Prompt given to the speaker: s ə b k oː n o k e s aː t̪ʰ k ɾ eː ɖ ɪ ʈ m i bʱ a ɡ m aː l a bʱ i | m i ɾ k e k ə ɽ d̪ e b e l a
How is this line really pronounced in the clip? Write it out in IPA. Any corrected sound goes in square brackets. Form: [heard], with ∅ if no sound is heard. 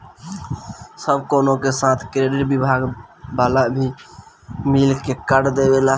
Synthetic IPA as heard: s ə b k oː n o k e s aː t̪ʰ k ɾ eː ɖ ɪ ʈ [b] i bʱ a ɡ [b] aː l a bʱ i | m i [l] k e k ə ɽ d̪ e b e l a